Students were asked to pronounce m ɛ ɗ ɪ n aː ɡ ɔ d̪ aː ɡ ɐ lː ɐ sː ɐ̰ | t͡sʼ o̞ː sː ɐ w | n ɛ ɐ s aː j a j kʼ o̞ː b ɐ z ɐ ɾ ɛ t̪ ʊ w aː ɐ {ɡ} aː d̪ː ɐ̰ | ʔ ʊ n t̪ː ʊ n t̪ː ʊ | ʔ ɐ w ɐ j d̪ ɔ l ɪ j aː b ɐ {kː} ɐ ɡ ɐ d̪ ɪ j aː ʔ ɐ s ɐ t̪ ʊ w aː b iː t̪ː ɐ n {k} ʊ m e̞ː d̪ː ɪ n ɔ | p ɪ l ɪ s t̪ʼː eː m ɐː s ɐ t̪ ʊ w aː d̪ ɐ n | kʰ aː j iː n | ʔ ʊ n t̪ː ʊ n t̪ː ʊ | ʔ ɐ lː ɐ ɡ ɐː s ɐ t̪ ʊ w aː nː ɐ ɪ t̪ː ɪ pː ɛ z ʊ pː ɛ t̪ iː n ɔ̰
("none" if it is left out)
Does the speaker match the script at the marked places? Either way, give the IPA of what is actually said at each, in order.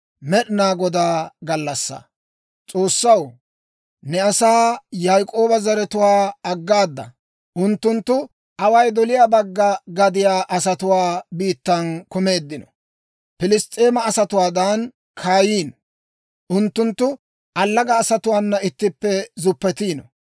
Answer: ɡː, ɡː, k

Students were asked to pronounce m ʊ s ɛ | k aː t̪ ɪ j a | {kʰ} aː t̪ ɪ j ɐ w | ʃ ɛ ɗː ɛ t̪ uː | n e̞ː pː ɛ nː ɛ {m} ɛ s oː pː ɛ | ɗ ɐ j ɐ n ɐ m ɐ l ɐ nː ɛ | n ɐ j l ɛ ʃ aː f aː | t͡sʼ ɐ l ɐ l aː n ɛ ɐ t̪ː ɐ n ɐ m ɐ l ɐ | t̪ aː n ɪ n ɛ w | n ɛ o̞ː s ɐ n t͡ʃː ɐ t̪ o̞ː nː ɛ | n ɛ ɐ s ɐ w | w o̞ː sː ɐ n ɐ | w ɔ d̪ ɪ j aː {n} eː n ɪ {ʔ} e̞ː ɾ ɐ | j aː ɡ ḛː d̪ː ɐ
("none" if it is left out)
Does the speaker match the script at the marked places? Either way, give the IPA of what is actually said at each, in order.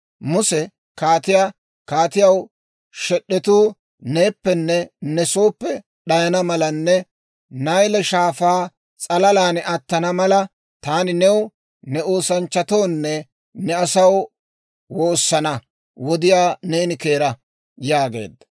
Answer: k, n, n, k

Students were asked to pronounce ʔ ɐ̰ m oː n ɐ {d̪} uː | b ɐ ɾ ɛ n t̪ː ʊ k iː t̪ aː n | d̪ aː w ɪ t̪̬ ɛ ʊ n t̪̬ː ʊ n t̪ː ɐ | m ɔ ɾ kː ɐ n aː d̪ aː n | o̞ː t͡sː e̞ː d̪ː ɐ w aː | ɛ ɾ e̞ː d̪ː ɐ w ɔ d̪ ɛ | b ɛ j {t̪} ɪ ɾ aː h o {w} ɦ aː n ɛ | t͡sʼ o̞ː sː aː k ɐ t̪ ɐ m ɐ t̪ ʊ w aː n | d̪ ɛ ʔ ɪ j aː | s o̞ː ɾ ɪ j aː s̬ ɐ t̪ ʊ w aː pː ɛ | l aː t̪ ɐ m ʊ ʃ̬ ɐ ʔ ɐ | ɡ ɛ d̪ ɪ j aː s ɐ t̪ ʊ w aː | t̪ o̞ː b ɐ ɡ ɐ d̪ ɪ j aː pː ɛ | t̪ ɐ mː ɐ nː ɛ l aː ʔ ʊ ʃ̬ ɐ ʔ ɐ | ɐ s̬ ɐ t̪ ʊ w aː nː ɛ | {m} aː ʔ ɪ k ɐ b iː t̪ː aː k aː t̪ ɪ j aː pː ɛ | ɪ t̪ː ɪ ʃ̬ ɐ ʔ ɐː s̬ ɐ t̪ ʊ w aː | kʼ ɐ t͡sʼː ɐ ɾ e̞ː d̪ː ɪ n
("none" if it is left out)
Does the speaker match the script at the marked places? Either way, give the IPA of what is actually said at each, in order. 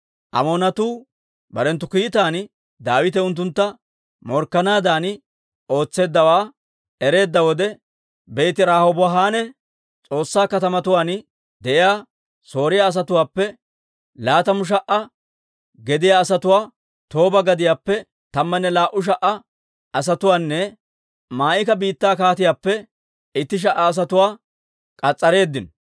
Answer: t̪, t̪, b, m

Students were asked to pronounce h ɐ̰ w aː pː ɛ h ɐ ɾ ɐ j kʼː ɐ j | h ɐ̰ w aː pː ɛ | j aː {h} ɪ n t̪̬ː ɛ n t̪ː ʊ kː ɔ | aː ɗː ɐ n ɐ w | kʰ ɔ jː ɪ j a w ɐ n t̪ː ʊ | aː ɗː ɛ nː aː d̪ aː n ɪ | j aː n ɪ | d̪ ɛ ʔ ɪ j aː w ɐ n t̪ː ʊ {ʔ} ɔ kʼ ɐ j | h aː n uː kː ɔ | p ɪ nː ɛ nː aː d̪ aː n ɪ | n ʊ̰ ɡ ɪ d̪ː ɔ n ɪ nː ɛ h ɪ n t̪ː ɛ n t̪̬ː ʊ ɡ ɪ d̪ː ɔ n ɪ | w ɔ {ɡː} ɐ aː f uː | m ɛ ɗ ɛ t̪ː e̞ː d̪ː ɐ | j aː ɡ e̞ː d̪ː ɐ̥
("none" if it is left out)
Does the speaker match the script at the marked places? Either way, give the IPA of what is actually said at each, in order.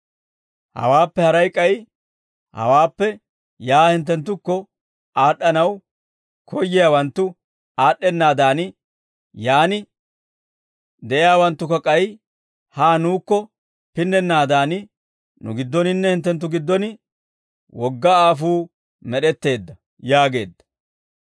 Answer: h, k, ɡː

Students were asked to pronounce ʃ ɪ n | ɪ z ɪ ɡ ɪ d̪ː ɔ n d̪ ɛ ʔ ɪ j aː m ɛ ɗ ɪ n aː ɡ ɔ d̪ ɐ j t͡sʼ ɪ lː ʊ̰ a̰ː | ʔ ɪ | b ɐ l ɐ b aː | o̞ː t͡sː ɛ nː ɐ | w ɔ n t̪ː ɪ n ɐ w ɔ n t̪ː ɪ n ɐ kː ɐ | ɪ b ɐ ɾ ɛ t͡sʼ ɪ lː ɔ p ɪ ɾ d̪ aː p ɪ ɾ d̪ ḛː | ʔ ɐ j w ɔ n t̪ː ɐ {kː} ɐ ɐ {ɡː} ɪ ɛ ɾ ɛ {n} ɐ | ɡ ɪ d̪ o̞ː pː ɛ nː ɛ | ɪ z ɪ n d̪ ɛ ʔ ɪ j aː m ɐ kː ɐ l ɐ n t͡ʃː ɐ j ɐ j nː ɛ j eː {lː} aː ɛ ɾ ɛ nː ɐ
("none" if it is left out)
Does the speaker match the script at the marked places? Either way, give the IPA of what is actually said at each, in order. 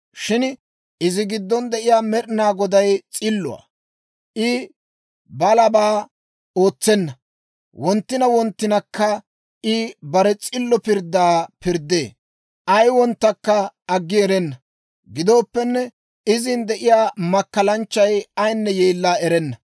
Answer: kː, ɡː, nː, lː

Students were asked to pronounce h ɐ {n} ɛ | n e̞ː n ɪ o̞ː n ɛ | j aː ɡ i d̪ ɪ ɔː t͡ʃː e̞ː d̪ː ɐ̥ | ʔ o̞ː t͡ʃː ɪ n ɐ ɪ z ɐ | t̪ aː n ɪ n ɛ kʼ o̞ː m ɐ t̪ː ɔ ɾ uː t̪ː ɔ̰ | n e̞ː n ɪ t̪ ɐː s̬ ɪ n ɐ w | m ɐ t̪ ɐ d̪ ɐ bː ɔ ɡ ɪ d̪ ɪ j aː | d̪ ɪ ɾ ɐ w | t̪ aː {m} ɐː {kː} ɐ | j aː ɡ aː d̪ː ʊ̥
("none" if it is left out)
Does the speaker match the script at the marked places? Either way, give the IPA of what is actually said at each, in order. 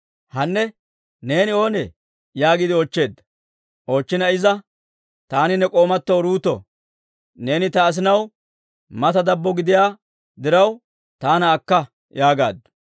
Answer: nː, n, kː

